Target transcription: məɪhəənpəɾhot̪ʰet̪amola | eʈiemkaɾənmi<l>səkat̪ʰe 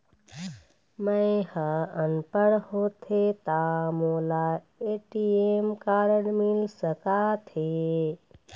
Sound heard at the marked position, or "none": l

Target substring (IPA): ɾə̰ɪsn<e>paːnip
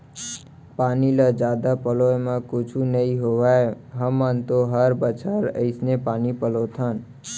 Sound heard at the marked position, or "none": e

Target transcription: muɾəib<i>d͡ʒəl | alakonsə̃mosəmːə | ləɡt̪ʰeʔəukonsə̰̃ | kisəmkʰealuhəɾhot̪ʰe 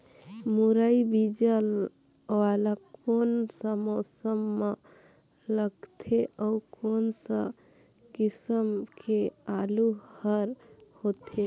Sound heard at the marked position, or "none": i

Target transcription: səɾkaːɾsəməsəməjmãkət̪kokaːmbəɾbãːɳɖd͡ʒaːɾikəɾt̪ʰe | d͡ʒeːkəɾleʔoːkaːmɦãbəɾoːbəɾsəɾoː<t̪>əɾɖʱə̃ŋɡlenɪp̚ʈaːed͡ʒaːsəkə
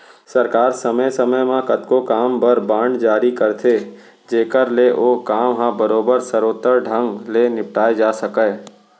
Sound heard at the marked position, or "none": t̪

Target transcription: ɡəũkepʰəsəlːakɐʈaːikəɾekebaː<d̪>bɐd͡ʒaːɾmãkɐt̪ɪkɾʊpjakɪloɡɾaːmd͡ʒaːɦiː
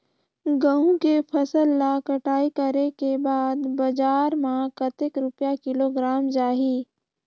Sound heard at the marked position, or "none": d̪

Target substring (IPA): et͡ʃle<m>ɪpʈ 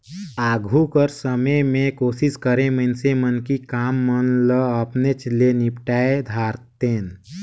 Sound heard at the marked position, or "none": n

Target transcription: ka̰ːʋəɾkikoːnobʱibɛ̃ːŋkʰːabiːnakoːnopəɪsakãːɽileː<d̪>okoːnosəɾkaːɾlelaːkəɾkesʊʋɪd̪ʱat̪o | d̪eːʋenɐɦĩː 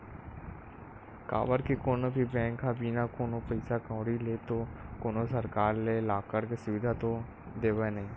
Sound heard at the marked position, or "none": t̪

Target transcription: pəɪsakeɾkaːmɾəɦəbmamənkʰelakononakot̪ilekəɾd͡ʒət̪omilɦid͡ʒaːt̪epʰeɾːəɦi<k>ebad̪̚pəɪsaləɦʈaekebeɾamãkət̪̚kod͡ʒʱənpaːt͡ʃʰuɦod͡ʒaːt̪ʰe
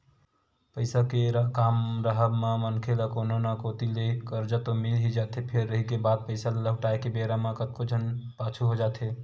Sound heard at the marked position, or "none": k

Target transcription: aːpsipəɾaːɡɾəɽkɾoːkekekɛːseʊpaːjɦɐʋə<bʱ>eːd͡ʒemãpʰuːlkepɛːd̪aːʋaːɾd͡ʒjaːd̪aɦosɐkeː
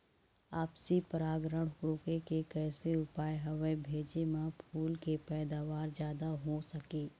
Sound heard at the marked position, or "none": bʱ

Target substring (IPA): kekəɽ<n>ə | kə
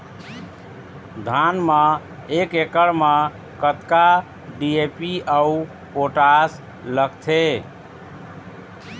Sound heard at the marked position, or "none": m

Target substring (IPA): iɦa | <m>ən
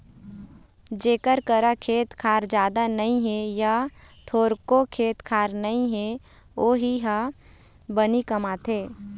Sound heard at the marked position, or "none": b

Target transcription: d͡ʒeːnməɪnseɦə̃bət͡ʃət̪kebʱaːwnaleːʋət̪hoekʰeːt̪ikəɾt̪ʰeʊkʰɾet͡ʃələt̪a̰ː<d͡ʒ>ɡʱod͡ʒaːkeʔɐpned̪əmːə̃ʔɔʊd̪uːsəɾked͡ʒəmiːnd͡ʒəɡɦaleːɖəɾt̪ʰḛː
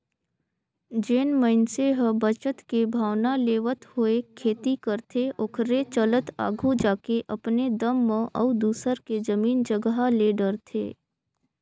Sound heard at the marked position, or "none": none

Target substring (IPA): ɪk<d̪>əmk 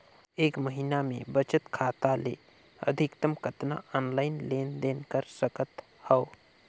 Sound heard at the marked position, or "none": t̪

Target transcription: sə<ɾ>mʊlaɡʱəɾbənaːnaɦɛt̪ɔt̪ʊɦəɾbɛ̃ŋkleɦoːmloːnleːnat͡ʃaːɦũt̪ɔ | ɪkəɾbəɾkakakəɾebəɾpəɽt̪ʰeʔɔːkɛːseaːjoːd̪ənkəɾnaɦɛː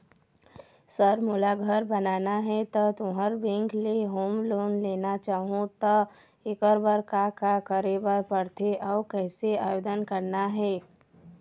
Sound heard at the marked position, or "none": ɾ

